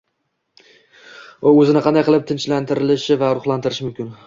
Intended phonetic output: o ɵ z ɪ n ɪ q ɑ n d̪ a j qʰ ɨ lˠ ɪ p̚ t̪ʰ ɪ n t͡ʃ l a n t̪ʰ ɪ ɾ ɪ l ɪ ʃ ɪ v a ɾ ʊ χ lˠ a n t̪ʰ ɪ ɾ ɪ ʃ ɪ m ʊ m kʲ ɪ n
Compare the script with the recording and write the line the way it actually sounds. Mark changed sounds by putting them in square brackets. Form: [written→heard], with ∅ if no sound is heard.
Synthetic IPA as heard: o ɵ z ɪ n ɪ q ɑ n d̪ a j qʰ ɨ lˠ ɪ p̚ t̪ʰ ɪ n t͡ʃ l a n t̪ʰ ɪ ɾ ɪ l ɪ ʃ ɪ v a ɾ ʊ χ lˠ a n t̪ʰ ɪ ɾ ɪ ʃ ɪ m ʊ m kʲ ɪ n